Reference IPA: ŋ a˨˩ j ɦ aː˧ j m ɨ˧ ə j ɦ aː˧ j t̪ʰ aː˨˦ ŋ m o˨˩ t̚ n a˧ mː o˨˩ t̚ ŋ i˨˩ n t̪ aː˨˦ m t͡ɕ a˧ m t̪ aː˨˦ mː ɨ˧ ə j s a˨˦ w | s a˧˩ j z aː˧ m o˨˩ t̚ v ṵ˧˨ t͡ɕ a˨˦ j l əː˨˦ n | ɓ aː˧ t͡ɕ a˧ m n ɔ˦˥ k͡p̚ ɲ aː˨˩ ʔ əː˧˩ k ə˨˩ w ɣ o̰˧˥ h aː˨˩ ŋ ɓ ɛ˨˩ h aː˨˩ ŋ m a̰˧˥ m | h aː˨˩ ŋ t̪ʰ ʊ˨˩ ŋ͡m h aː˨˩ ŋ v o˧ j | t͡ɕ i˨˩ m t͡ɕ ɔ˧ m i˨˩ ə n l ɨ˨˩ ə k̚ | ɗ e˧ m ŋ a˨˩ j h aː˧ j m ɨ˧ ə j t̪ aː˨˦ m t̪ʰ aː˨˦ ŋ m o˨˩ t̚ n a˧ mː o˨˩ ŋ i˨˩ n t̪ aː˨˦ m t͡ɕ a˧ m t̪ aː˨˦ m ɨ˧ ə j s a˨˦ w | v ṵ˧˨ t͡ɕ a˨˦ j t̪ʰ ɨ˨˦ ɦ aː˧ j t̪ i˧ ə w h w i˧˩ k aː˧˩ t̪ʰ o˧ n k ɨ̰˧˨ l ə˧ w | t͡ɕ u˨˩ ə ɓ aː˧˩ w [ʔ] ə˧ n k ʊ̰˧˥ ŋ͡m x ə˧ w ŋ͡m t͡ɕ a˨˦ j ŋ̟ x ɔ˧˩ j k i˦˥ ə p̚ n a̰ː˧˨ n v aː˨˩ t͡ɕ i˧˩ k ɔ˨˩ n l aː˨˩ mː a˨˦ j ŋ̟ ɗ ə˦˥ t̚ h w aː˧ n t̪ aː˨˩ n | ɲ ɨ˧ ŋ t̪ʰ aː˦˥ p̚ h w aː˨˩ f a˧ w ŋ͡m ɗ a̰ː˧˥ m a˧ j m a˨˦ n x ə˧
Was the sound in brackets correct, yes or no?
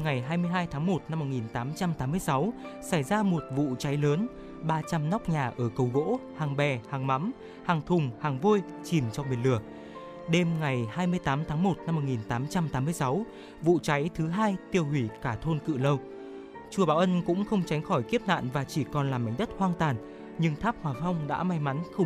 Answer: yes